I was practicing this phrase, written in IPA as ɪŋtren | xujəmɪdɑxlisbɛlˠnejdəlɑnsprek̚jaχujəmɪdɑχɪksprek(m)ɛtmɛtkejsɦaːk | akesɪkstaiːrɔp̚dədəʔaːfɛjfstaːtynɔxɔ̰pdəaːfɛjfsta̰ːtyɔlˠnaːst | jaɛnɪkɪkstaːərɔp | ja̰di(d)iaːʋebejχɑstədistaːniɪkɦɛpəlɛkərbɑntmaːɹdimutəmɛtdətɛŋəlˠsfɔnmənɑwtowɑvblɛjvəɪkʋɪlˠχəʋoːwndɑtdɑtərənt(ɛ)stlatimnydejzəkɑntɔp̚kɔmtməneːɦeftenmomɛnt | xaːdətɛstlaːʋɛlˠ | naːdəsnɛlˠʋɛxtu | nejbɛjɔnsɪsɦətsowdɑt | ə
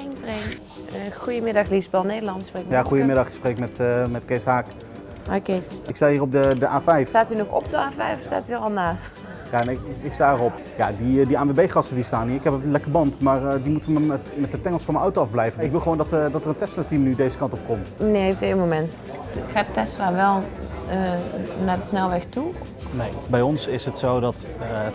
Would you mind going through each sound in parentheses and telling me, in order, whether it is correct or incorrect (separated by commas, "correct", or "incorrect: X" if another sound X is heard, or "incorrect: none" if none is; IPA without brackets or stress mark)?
correct, correct, correct